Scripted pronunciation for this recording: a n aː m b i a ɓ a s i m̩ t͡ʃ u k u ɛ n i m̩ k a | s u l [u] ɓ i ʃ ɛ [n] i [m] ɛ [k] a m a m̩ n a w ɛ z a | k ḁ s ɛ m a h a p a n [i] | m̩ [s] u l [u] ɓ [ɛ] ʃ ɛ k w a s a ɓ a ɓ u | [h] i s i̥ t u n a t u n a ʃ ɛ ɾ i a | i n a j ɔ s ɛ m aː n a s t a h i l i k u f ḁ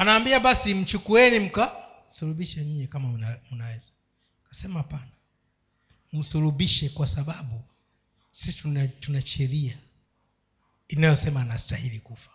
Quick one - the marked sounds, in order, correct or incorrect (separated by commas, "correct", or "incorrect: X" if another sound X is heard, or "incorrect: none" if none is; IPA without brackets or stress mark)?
correct, incorrect: ɲ, incorrect: ɲ, correct, incorrect: a, correct, correct, incorrect: i, incorrect: s